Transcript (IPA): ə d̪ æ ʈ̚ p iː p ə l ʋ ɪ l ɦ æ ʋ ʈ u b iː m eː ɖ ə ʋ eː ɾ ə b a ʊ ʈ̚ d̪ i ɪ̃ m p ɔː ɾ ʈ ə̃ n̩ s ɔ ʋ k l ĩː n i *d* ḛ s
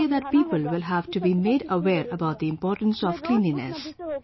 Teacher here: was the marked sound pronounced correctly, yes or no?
no